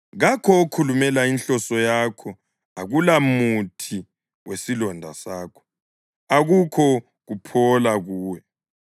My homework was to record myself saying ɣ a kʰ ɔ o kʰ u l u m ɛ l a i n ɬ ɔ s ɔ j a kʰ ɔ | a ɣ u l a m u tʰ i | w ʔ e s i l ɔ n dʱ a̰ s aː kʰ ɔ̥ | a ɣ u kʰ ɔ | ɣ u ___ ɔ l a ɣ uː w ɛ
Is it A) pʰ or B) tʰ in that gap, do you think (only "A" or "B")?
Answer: A